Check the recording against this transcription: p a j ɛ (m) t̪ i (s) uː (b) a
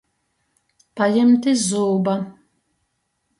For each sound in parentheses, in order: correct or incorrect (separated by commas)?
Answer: correct, incorrect, correct